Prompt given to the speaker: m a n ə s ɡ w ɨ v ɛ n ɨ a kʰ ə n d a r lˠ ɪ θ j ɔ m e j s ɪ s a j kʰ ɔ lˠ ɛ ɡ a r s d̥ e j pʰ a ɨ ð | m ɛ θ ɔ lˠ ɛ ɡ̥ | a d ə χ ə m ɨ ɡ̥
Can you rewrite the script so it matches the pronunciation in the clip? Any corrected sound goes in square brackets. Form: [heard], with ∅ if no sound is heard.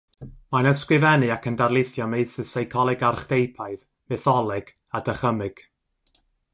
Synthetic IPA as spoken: m a n ə s [k] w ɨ v ɛ n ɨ a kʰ ə n d a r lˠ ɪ θ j ɔ m e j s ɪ s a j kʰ ɔ lˠ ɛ ɡ a r [χ] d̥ e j pʰ a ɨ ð | m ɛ θ ɔ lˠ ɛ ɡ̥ | a d ə χ ə m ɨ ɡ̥